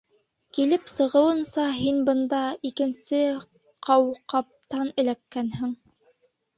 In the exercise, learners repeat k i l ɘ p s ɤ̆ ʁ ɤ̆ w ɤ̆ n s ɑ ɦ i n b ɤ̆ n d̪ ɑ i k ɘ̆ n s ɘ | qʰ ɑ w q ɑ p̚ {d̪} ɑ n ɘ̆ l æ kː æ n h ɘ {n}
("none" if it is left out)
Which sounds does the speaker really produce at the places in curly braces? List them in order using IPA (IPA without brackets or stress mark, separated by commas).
t̪, ŋ